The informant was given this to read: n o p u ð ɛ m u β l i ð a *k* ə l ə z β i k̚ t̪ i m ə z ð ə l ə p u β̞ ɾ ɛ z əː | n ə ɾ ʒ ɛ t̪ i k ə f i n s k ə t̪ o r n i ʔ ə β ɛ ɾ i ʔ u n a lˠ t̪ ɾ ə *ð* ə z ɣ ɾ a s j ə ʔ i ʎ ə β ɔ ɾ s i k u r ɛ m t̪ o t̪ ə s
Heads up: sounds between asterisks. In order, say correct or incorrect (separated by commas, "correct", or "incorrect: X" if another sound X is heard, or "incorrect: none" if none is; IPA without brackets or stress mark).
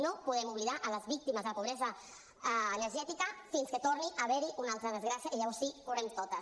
incorrect: ʔ, correct